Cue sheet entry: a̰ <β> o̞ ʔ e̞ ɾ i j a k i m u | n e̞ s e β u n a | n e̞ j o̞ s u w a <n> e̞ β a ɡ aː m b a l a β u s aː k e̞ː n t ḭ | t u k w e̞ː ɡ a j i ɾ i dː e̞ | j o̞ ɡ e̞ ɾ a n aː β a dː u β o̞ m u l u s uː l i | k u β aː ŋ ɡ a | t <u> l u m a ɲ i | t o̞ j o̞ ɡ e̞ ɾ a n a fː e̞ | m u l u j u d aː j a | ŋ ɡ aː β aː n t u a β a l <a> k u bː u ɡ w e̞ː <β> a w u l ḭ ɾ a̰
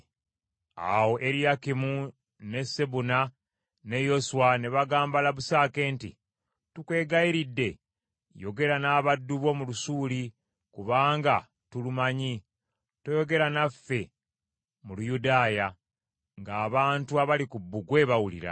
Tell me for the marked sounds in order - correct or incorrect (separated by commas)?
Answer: incorrect, correct, correct, incorrect, correct